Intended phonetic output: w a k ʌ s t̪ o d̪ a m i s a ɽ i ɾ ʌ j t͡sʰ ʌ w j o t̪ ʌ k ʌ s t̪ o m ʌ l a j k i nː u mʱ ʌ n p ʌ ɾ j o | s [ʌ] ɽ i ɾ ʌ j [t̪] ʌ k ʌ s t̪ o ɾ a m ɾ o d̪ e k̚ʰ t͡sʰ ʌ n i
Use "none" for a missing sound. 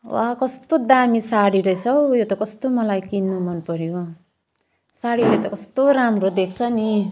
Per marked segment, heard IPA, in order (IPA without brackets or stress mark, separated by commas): a, t̪